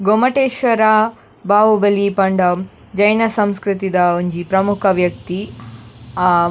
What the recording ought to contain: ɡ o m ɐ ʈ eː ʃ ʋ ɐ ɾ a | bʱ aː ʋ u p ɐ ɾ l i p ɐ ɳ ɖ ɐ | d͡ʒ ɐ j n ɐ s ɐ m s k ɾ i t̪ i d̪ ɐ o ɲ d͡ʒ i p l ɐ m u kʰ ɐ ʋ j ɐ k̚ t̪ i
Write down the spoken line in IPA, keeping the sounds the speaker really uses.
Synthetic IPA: ɡ o m ɐ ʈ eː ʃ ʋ ɐ ɾ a | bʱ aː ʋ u b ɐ l i p ɐ ɳ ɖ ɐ | d͡ʒ ɐ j n ɐ s ɐ m s k ɾ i t̪ i d̪ ɐ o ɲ d͡ʒ i p ɾ ɐ m u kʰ ɐ ʋ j ɐ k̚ t̪ i